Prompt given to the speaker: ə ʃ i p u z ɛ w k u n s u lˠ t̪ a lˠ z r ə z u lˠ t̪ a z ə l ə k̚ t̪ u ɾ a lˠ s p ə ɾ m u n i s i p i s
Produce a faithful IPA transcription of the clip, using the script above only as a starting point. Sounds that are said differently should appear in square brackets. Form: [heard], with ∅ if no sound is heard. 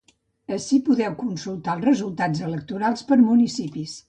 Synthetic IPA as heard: ə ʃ i p u [ð] ɛ w k u n s u lˠ t̪ a lˠ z r ə z u lˠ t̪ a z ə l ə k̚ t̪ u ɾ a lˠ s p ə ɾ m u n i s i p i s